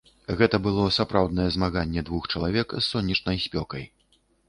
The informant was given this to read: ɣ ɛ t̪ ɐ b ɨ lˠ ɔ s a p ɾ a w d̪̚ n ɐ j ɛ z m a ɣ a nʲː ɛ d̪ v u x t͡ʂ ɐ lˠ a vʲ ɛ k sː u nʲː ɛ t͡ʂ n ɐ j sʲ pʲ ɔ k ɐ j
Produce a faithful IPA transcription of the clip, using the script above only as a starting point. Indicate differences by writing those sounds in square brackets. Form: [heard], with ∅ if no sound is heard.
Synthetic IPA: ɣ ɛ t̪ ɐ b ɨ lˠ ɔ s a p ɾ a w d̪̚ n ɐ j ɛ z m a ɣ a nʲː ɛ d̪ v u x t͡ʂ ɐ lˠ a vʲ ɛ k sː [ɔ] nʲː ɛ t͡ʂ n ɐ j sʲ pʲ ɔ k ɐ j